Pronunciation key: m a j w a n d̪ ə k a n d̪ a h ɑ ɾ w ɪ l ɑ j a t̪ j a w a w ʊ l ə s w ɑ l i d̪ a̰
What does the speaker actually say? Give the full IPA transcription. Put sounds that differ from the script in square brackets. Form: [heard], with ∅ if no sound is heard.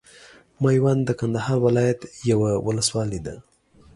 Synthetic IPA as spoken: m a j w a n d̪ ə k a n d̪ a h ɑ ɾ w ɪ l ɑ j a t̪ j a w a w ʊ l ə s w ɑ l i d̪ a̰